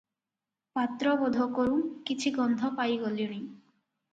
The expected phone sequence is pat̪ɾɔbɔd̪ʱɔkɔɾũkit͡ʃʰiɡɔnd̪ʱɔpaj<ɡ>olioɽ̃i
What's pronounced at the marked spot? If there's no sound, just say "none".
ɡ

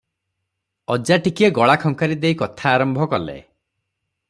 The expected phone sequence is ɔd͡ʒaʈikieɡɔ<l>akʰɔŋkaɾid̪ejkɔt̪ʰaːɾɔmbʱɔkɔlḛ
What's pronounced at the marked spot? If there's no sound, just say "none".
ɭ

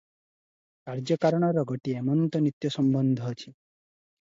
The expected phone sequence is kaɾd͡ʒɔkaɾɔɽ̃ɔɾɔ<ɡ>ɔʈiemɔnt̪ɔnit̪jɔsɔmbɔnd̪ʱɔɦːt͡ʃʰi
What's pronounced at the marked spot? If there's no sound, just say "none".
ɡ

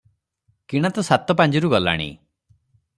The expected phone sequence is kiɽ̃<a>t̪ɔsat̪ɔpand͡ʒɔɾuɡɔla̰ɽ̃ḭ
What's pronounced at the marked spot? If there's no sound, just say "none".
a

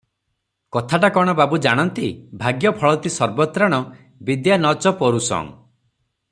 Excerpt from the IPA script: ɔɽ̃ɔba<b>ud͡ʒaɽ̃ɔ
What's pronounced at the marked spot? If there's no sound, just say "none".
b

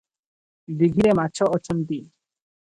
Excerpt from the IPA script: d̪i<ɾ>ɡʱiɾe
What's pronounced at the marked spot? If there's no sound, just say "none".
none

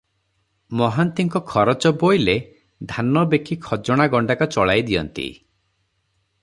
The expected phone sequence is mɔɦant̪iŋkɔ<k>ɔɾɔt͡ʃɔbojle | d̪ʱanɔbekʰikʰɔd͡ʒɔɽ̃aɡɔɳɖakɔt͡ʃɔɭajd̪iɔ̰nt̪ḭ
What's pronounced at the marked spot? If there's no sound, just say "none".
kʰ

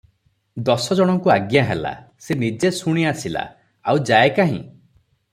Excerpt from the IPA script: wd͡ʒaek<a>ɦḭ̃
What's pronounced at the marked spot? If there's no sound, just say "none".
a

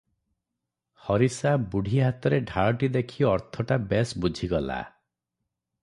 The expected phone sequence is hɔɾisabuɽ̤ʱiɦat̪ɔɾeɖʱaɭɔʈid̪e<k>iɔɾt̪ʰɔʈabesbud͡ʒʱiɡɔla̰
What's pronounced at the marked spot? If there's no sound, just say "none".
kʰ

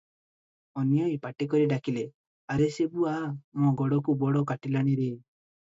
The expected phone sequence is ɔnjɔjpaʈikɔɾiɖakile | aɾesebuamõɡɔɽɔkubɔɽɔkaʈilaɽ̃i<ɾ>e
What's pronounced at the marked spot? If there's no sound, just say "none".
ɾ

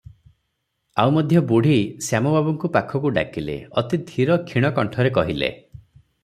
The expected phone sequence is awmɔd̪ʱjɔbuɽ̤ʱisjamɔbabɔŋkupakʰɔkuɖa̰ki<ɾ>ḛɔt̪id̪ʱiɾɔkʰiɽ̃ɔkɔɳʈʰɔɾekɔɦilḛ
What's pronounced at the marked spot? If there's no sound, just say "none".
l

